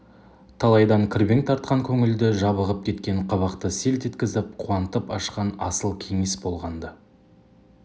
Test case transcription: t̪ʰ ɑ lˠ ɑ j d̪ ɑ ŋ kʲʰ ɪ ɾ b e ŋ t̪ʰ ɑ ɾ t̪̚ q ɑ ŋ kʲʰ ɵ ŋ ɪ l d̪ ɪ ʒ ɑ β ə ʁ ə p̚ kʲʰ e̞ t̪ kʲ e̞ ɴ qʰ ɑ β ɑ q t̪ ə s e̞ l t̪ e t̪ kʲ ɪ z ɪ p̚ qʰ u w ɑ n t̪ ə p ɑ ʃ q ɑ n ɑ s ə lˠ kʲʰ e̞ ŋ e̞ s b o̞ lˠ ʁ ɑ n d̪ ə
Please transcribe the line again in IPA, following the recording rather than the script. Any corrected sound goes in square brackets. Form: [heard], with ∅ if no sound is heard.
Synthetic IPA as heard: t̪ʰ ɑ lˠ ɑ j d̪ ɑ ŋ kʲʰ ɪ ɾ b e ŋ t̪ʰ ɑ ɾ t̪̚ q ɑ ŋ kʲʰ ɵ ŋ ɪ l d̪ ɪ ʒ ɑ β ə ʁ ə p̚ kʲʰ e̞ t̪ kʲ e̞ ɴ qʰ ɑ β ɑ q t̪ ə s e̞ l t̪ e t̪ kʲ ɪ z ɪ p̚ qʰ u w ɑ n t̪ ə p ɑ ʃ q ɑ n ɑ s ə lˠ kʲʰ e̞ ŋ e̞ s b o̞ lˠ ʁ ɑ n d̪ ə

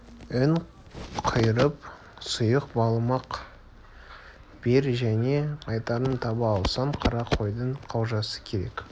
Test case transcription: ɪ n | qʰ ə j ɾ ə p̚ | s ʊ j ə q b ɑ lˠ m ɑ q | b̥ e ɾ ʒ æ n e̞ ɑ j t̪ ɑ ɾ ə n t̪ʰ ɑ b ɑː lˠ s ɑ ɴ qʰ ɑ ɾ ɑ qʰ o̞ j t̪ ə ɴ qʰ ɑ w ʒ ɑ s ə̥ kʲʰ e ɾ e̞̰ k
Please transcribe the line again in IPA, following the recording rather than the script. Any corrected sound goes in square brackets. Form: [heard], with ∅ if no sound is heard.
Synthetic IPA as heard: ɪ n | qʰ ə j ɾ ə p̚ | s ʊ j ə q b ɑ lˠ m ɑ q | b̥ e ɾ ʒ æ n e̞ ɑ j t̪ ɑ ɾ ə n t̪ʰ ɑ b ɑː lˠ s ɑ ɴ qʰ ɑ ɾ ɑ qʰ o̞ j [d̪] ə ɴ qʰ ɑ w ʒ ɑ s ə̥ kʲʰ e ɾ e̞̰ k

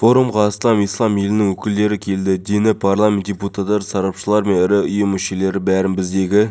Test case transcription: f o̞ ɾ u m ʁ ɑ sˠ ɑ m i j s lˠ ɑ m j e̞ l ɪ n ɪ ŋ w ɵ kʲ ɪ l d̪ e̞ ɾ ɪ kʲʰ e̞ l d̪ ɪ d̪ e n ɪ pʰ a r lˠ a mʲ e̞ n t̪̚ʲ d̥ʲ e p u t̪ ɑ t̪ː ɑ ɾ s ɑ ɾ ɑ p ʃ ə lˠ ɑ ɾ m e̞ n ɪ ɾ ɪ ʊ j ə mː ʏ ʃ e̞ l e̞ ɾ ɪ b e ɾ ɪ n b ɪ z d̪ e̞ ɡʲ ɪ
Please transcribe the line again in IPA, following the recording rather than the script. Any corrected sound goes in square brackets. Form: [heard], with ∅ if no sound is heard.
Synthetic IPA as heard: f o̞ ɾ u m ʁ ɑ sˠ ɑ m i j s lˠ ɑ m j e̞ l ɪ n ɪ ŋ w ɵ kʲ ɪ l d̪ e̞ ɾ ɪ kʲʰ e̞ l d̪ ɪ d̪ e n ɪ pʰ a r lˠ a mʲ e̞ n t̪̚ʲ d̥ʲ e p u t̪ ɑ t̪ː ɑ ɾ s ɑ ɾ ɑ p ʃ ə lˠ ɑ ɾ m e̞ n ɪ ɾ ɪ ʊ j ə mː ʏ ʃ e̞ l e̞ ɾ ɪ b [æ] ɾ ɪ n b ɪ z d̪ e̞ ɡʲ ɪ

